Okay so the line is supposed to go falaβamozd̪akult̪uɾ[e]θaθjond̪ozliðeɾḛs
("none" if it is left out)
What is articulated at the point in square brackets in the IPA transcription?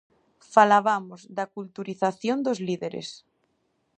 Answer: i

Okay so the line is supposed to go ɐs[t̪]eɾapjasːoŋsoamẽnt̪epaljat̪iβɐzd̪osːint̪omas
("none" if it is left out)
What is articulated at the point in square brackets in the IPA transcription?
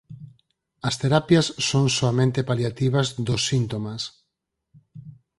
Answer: t̪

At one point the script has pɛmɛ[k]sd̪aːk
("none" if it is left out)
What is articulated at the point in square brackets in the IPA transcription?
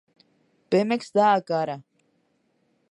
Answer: k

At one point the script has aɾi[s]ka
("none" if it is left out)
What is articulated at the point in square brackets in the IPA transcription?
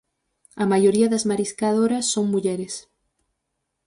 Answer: s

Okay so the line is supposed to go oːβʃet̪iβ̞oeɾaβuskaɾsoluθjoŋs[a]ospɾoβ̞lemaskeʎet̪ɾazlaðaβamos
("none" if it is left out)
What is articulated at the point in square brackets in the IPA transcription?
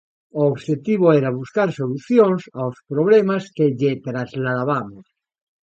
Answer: a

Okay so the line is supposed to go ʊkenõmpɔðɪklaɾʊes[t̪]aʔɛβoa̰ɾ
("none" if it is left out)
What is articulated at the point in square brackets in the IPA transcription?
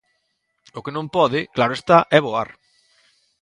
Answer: t̪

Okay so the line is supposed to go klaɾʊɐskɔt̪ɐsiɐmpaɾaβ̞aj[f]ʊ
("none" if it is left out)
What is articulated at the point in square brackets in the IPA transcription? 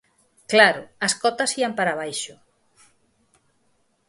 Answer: ʃ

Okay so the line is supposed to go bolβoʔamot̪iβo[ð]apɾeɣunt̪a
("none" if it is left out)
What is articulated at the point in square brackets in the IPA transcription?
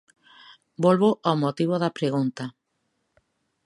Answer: ð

